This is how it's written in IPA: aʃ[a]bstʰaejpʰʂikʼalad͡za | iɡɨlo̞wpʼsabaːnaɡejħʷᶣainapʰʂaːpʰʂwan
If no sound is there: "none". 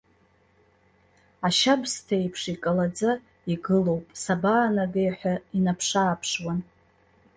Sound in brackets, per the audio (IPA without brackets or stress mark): a